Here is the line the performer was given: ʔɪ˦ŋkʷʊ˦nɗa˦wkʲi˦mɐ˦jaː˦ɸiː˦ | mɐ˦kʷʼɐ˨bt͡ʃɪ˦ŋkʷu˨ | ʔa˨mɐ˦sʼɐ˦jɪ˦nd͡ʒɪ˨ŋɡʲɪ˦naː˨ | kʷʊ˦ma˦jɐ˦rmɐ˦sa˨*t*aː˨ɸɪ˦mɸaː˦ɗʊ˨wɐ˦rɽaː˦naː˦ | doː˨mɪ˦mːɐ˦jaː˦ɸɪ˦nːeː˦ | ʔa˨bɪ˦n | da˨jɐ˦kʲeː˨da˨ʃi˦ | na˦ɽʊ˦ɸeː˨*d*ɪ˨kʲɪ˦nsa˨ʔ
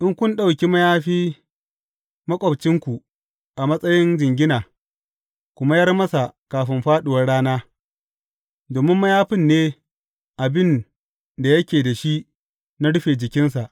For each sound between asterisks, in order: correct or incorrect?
incorrect: k, incorrect: d͡ʒ

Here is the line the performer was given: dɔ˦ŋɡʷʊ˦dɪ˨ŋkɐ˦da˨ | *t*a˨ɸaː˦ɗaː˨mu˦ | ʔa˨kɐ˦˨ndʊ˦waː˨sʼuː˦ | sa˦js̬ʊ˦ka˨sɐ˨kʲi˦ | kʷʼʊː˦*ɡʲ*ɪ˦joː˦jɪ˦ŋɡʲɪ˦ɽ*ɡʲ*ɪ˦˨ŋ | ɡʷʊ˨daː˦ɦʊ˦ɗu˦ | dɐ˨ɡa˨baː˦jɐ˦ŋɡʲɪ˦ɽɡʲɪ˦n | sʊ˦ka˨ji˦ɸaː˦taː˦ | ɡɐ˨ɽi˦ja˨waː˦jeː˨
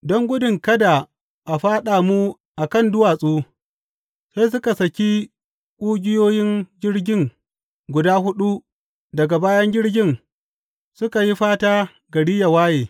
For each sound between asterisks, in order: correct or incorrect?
incorrect: ʔ, correct, correct

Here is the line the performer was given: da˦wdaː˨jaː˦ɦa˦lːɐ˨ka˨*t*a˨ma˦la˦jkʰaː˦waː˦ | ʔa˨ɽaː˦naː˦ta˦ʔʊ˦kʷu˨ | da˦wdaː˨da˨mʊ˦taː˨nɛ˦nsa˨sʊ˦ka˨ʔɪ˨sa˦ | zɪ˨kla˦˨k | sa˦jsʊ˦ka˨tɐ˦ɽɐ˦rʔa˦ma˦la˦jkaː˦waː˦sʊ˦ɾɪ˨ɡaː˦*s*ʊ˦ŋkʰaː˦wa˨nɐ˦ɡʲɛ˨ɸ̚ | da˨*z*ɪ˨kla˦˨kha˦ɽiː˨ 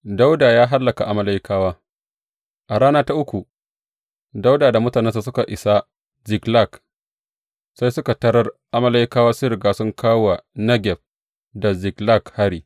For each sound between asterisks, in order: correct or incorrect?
incorrect: ʔ, correct, correct

